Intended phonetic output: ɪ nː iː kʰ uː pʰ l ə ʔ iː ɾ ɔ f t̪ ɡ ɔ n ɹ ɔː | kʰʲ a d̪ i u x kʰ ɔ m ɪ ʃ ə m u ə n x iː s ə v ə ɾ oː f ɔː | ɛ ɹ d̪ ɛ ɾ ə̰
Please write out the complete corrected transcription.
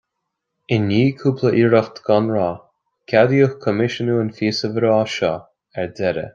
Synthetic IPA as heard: ɪ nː iː kʰ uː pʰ l ə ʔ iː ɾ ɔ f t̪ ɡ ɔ n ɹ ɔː | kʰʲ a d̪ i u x kʰ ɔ m ɪ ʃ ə n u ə n f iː s ə v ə ɾ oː ʃ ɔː | ɛ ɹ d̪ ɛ ɾ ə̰

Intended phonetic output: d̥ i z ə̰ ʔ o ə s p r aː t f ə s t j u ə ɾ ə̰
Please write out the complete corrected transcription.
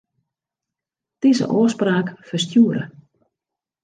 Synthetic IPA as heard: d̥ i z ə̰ ʔ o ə s p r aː k f ə s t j u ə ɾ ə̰

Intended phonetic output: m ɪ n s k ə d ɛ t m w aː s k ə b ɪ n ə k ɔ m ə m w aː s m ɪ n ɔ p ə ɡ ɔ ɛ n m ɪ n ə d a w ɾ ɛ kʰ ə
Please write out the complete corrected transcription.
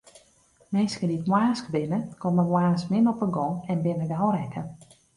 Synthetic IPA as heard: m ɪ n s k ə d i t m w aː s k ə b ɪ n ə k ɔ m ə m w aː s m ɪ n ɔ p ə ɡ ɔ ɛ n b ɪ n ə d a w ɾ ɛ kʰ ə

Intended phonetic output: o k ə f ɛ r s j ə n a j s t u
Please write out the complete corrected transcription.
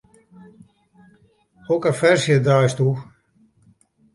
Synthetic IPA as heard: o k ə f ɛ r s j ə d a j s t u

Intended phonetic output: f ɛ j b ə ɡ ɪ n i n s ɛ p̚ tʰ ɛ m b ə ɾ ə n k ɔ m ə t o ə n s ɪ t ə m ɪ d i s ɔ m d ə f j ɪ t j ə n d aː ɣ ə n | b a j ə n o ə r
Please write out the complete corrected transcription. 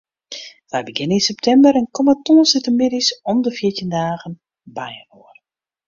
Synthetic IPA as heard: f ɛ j b ə ɡ ɪ n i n s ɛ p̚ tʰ ɛ m b ə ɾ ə n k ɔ m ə t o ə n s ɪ t ə m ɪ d i s ɔ m d ə f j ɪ t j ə n d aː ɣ ə n | b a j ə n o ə r

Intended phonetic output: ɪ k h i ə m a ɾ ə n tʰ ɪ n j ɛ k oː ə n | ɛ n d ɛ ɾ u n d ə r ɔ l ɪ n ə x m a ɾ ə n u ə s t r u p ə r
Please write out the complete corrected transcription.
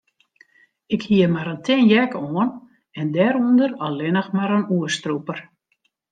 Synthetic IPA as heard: ɪ k h i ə m a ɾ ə n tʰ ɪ n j ɛ k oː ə n | ɛ n d ɛ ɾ u n d ə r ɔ l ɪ n ə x m a ɾ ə n u ə s t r u p ə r

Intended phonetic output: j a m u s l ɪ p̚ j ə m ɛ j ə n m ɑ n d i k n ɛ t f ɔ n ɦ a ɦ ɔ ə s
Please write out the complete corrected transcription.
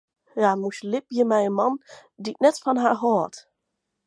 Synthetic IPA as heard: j a m u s l ɪ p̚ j ə m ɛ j ə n m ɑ n d i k n ɛ t f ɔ n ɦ a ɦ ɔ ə t

